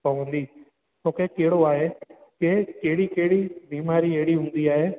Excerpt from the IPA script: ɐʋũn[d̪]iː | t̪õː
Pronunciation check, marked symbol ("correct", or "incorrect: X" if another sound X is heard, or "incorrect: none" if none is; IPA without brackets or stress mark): correct